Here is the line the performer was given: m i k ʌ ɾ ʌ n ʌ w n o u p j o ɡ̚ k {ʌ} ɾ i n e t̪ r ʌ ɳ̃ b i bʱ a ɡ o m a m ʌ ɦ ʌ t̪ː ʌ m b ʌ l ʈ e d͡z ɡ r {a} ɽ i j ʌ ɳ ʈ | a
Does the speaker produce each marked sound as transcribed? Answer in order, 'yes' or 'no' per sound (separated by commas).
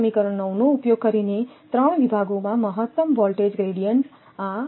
yes, no